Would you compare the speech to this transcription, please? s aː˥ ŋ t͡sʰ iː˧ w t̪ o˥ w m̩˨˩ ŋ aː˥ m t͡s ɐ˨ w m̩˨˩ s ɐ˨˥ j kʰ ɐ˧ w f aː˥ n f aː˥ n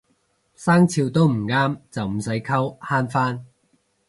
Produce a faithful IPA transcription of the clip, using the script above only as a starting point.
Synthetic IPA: s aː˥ ŋ t͡sʰ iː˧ w t̪ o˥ w m̩˨˩ ŋ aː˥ m t͡s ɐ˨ w m̩˨˩ s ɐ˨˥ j kʰ ɐ˥ w h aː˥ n f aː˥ n

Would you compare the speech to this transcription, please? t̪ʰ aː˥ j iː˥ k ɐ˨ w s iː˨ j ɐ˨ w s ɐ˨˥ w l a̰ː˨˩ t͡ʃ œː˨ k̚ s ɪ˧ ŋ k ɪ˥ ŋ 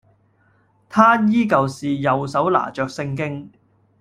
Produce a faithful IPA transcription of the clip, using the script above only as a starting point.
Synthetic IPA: t̪ʰ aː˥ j iː˥ k ɐ˨ w s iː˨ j ɐ˨ w s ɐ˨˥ w l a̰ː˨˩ t͡ʃ œː˨ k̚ s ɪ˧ ŋ k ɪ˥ ŋ

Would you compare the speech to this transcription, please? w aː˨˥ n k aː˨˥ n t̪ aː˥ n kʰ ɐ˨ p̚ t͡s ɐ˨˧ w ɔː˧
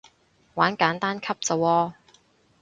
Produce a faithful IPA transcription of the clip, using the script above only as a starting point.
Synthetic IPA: w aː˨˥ n k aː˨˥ n t̪ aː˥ n kʰ ɐ˥ p̚ t͡s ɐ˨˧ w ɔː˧

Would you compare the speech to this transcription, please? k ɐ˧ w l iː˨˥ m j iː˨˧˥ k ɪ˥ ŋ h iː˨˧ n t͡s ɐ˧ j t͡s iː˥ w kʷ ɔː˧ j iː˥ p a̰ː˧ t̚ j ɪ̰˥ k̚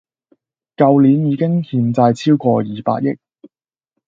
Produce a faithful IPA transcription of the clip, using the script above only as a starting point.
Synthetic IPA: k ɐ˧ w l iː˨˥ n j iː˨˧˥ k ɪ˥ ŋ h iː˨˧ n t͡s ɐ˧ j t͡sʰ iː˥ w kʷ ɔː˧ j iː˨ p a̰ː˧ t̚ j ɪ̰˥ k̚

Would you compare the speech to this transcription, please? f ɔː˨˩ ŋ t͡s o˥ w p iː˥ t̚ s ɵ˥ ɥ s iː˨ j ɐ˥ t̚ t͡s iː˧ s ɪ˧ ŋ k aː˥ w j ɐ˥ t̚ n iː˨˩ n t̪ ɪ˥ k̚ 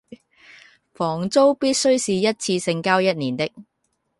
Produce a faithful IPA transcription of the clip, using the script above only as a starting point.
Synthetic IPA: f ɔː˨˩ ŋ t͡s o˥ w p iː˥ t̚ s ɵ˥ ɥ s iː˨ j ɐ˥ t̚ t͡sʰ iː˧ s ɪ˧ ŋ k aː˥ w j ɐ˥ t̚ n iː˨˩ n t̪ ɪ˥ k̚

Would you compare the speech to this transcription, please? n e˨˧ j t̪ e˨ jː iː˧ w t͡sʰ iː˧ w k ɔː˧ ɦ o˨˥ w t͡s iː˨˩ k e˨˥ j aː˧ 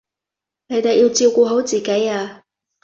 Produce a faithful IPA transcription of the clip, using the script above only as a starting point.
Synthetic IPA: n e˨˧ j t̪ e˨ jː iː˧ w t͡s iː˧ w k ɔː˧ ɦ o˨˥ w t͡s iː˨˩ k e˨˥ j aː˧

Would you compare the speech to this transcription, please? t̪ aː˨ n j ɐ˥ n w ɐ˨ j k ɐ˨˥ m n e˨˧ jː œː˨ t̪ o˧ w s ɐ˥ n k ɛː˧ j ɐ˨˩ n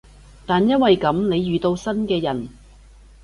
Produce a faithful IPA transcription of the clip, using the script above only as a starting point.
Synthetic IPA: t̪ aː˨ n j ɐ˥ n w ɐ˨ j k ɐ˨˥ m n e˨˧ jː yː˨ t̪ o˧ w s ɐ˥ n k ɛː˧ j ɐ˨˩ n

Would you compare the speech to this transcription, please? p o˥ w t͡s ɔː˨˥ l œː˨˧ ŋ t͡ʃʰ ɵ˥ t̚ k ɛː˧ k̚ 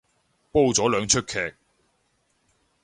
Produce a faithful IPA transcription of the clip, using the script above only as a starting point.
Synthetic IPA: p o˥ w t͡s ɔː˨˥ l œː˨˧ ŋ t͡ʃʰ ɵ˥ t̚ kʰ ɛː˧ k̚

